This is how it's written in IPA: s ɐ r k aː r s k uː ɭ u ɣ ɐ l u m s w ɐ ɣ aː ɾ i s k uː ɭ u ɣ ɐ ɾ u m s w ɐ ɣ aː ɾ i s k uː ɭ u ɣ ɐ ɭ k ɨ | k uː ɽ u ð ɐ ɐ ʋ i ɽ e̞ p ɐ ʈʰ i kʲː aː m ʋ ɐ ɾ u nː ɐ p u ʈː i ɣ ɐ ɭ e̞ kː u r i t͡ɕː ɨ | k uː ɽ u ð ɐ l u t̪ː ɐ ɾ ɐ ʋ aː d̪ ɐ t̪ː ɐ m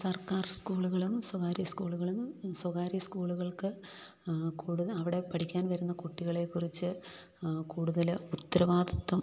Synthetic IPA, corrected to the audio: s ɐ r k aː r s k uː ɭ u ɣ ɐ ɭ u m s w ɐ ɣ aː ɾ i s k uː ɭ u ɣ ɐ ɭ u m s w ɐ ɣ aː ɾ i s k uː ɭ u ɣ ɐ ɭ k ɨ | k uː ɽ u ð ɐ ɐ ʋ i ɽ e̞ p ɐ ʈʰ i kʲː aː n ʋ ɐ ɾ u nː ɐ k u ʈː i ɣ ɐ ɭ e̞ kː u r i t͡ɕː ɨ | k uː ɽ u ð ɐ l u t̪ː ɐ ɾ ɐ ʋ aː d̪ ɐ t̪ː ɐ m

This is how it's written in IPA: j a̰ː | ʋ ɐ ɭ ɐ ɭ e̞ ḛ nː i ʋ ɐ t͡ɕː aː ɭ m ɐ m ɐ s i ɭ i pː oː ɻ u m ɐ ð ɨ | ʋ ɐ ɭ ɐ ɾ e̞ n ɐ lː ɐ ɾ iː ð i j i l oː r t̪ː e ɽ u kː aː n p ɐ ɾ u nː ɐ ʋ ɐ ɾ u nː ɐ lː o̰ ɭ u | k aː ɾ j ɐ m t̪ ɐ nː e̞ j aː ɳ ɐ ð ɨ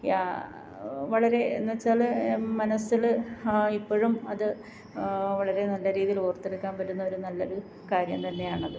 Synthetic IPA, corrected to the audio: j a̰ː | ʋ ɐ ɭ ɐ ɾ e̞ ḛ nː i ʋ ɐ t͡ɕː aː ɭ m ɐ n ɐ s i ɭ i pː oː ɻ u m ɐ ð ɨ | ʋ ɐ ɭ ɐ ɾ e̞ n ɐ lː ɐ ɾ iː ð i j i l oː r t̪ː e ɽ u kː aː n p ɐ ɾ u nː ɐ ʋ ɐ ɾ u nː ɐ lː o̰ ɾ u | k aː ɾ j ɐ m t̪ ɐ nː e̞ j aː ɳ ɐ ð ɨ

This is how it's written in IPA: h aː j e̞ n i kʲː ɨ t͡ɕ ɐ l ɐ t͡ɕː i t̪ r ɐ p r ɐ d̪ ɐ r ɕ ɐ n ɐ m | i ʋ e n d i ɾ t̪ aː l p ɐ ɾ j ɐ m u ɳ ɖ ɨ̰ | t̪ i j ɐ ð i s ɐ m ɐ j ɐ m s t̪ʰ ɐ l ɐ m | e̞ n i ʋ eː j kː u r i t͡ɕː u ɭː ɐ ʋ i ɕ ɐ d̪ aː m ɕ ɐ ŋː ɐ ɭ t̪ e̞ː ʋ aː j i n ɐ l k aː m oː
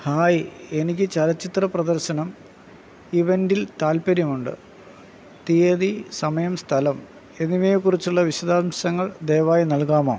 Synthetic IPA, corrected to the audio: h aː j e̞ n i kʲː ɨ t͡ɕ ɐ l ɐ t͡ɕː i t̪ r ɐ p r ɐ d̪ ɐ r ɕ ɐ n ɐ m | i ʋ e n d i l t̪ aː l p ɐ ɾ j ɐ m u ɳ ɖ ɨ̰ | t̪ i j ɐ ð i s ɐ m ɐ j ɐ m s t̪ʰ ɐ l ɐ m | e̞ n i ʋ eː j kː u r i t͡ɕː u ɭː ɐ ʋ i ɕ ɐ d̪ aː m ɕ ɐ ŋː ɐ ɭ d̪ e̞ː ʋ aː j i n ɐ l k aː m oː

